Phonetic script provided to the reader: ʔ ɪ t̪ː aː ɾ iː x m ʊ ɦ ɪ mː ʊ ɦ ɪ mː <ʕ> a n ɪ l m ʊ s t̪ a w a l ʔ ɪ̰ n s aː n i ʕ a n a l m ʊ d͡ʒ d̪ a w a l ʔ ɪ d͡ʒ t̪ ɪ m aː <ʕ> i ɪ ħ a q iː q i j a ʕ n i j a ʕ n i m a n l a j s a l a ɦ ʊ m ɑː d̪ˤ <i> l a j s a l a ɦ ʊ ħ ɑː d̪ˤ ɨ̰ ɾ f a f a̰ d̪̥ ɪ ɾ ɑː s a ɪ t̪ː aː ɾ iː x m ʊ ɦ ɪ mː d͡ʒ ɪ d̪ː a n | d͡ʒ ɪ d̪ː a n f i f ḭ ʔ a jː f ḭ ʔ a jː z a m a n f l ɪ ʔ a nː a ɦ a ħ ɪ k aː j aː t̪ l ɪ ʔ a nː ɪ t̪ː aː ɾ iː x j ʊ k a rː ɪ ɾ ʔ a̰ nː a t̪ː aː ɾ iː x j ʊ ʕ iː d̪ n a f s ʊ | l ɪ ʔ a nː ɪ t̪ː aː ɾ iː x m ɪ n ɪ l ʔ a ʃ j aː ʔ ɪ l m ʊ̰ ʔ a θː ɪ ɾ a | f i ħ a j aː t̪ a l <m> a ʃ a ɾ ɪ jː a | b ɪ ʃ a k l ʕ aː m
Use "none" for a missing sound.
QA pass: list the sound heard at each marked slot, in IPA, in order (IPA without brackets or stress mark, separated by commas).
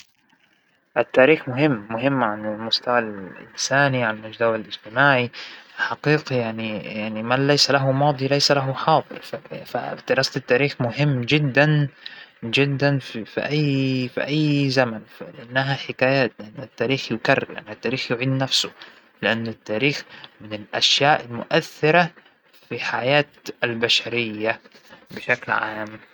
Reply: ʕ, ʕ, i, b